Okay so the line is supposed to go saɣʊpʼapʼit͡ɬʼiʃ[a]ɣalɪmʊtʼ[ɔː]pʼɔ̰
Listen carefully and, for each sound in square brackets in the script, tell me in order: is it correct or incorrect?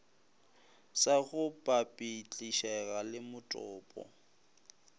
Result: incorrect: ɛ, correct

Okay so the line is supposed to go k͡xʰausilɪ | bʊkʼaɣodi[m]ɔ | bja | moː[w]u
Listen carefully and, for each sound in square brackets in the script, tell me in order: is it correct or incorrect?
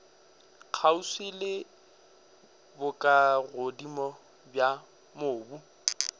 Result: correct, incorrect: b

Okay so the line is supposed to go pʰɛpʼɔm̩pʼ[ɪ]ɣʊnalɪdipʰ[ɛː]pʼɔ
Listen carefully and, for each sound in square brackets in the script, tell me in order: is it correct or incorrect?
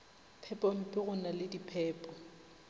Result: correct, correct

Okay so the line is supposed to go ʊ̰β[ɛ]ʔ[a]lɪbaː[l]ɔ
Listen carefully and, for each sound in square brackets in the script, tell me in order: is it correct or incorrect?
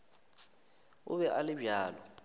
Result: correct, correct, correct

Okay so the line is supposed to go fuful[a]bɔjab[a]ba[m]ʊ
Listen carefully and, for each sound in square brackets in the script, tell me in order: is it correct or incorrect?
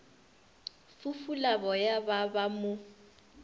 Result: correct, correct, correct

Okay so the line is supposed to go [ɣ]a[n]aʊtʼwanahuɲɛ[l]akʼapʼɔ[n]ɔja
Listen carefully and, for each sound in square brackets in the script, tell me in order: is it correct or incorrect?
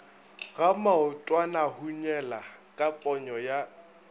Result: correct, incorrect: m, correct, incorrect: ɲ

